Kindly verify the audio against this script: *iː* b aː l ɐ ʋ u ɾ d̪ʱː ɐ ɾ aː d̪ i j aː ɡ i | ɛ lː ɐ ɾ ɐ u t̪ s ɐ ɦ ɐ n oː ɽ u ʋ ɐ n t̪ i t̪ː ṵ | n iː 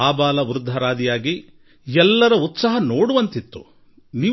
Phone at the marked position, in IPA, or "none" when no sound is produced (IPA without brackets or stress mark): aː